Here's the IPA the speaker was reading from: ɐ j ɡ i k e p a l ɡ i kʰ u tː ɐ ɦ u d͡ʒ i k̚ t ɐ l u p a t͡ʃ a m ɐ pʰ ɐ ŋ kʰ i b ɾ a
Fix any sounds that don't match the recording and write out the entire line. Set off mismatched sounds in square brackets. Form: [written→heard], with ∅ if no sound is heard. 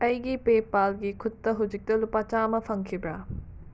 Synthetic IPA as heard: ɐ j ɡ i [k→p] e p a l ɡ i kʰ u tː ɐ ɦ u d͡ʒ i k̚ t ɐ l u p a t͡ʃ a m ɐ pʰ ɐ ŋ kʰ i b ɾ a

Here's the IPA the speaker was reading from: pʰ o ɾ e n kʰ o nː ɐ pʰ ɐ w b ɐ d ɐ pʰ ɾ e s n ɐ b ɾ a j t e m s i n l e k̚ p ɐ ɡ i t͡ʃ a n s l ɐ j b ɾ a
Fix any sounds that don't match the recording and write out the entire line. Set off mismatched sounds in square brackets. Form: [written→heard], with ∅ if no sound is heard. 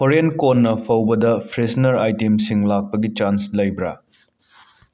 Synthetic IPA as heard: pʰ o ɾ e n [kʰ→k] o nː ɐ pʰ ɐ w b ɐ d ɐ pʰ ɾ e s n ɐ [b→∅] ɾ a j t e m s i [n→ŋ] l [e→a] k̚ p ɐ ɡ i t͡ʃ a n s l ɐ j b ɾ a

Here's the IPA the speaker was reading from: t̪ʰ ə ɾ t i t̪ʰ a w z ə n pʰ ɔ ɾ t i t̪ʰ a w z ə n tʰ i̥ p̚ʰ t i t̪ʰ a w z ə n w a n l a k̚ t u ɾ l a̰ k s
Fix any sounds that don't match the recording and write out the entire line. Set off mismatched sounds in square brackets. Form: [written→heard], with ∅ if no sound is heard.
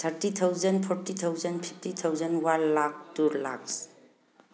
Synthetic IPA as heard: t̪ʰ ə ɾ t i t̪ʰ a w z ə n pʰ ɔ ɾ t i t̪ʰ a w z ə n [tʰ→pʰ] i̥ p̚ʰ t i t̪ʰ a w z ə n w a n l a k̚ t u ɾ l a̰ k s

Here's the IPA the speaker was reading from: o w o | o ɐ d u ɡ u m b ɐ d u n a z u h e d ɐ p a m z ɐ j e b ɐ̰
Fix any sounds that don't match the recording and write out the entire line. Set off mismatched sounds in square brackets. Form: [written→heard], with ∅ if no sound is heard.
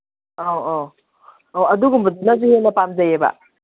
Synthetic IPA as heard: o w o | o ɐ d u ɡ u m b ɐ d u n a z u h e [d→n] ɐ p a m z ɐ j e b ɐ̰

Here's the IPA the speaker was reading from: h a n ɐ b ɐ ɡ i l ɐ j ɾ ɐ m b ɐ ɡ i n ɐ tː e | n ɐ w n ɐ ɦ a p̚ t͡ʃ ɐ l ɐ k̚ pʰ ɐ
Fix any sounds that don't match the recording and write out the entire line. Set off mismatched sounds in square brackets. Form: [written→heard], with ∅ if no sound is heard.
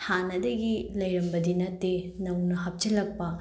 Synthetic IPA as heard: h a n ɐ [b→d] ɐ ɡ i l ɐ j ɾ ɐ m b ɐ [ɡ→d] i n ɐ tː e | n ɐ w n ɐ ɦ [a→ɐ] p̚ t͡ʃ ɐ l ɐ k̚ [pʰ→p] ɐ

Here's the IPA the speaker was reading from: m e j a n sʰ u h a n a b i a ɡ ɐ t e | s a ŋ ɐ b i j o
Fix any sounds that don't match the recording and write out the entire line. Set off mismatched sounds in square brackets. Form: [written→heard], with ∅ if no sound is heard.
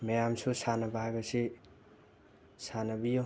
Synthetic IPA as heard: m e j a [n→m] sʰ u [h→s] a n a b [i→a] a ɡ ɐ [t→s] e | s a [ŋ→n] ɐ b i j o

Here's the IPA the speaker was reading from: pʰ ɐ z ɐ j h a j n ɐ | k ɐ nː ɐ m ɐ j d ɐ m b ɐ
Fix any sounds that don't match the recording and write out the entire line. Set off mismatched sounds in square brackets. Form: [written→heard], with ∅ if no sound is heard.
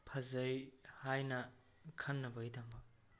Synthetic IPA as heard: pʰ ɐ z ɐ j h a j n ɐ | [k→kʰ] ɐ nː ɐ [m→b] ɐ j d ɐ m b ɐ

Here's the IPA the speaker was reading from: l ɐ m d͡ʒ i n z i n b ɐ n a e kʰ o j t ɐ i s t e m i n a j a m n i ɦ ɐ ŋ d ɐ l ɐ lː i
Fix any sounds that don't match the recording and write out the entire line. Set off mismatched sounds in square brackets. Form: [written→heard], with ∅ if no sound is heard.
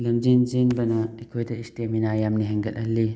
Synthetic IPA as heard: l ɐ m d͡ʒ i n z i n b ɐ n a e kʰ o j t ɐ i s t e m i n a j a m n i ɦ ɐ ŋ [d→ɡ] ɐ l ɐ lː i

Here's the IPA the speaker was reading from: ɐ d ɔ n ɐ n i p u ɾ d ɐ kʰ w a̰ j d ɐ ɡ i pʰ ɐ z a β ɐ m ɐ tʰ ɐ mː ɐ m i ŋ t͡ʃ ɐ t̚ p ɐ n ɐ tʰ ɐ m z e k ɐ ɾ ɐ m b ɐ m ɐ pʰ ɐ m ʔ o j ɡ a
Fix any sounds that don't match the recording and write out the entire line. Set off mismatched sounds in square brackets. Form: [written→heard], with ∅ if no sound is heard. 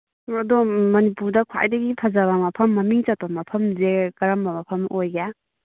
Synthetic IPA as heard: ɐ d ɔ [n→m] ɐ n i p u ɾ d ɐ kʰ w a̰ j d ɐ ɡ i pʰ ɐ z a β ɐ m ɐ [tʰ→pʰ] ɐ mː ɐ m i ŋ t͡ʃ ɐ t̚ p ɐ [n→m] ɐ [tʰ→pʰ] ɐ m z e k ɐ ɾ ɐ m b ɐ m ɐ pʰ ɐ m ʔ o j ɡ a

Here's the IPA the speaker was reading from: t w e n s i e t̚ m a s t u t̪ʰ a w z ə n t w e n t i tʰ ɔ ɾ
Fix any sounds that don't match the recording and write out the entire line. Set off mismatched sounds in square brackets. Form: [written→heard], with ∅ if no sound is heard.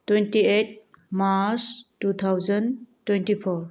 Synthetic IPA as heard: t w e n [s→t] i e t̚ m a s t u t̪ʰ a w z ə n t w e n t i [tʰ→pʰ] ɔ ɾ

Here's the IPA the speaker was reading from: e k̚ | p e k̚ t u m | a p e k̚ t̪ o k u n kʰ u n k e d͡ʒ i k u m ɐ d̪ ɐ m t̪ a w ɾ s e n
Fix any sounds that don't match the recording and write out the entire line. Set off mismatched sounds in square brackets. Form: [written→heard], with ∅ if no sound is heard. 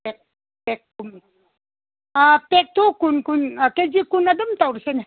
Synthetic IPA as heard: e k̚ | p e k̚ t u m | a p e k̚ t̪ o k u n [kʰ→k] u n k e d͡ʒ i k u [m→n] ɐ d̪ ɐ m t̪ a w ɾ s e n

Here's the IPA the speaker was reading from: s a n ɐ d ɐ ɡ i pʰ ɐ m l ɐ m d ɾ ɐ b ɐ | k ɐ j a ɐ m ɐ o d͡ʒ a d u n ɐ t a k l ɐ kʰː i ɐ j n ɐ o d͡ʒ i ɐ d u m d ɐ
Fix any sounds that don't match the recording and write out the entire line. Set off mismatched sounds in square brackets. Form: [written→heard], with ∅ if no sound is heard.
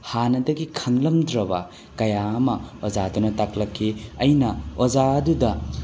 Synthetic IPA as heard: [s→h] a n ɐ d ɐ ɡ i [pʰ→kʰ] ɐ [m→ŋ] l ɐ m d ɾ ɐ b ɐ | k ɐ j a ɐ m ɐ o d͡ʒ a d u n ɐ t a k l ɐ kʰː i ɐ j n ɐ o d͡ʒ [i→a] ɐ d u [m→∅] d ɐ

